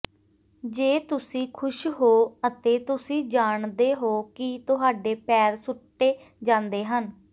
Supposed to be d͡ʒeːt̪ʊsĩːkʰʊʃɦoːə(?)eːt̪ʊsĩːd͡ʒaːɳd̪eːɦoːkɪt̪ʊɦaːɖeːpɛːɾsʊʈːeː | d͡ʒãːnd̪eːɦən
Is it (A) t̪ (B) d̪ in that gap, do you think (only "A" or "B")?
A